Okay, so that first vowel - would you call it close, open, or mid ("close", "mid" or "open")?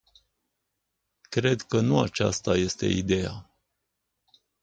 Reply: mid